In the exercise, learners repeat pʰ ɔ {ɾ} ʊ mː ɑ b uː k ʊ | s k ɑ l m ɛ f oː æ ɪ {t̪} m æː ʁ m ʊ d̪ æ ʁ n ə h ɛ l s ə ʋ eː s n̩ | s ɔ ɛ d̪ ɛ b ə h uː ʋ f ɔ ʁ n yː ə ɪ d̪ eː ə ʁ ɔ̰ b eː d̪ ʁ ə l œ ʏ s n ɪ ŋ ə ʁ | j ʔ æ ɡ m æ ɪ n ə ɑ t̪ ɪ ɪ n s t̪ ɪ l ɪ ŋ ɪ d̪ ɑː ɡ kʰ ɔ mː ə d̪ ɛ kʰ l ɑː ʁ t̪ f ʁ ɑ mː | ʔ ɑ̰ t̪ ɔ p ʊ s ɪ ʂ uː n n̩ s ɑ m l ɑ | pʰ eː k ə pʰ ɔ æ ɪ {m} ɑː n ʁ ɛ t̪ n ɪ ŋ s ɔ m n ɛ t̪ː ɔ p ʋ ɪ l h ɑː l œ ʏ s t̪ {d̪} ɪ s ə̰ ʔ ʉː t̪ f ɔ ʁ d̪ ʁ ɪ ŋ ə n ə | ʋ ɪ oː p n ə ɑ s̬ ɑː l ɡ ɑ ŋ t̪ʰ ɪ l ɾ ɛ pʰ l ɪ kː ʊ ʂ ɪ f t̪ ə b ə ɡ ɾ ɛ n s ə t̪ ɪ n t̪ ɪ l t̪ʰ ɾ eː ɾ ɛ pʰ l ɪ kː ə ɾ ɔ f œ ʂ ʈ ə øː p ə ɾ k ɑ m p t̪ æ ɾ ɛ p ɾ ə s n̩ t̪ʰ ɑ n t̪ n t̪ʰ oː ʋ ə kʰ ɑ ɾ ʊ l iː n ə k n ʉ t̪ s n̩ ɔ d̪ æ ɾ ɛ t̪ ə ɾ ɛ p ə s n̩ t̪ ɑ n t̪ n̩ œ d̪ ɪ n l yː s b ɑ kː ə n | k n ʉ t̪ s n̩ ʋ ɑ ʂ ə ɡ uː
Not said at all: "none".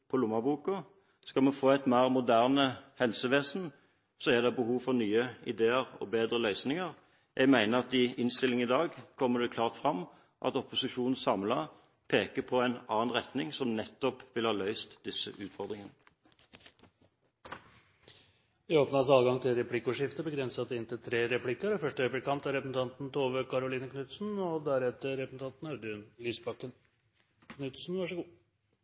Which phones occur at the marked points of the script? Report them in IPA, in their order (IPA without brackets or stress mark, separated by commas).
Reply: l, t̪, n, d̪